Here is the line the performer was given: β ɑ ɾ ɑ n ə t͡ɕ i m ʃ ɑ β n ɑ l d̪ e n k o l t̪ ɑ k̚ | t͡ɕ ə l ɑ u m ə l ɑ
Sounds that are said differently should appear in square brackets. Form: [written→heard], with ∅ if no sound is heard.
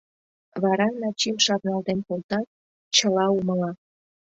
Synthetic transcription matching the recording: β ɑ ɾ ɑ n [ə→ɑ] t͡ɕ i m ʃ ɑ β n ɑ l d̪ e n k o l t̪ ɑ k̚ | t͡ɕ ə l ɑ u m ə l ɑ